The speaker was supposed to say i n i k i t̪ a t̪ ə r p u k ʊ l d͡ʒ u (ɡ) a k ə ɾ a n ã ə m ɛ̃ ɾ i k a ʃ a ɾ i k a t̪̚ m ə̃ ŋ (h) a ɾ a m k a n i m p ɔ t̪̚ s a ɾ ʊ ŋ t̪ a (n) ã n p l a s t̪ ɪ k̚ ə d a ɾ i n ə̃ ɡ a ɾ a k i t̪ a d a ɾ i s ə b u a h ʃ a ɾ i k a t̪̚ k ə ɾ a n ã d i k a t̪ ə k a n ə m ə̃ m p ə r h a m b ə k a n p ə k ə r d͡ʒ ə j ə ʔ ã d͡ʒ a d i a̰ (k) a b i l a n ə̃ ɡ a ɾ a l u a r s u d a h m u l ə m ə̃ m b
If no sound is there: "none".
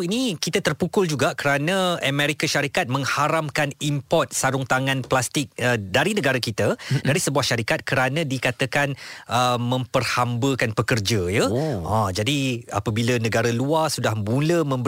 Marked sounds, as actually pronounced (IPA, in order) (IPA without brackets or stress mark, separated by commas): ɡ, h, ŋ, p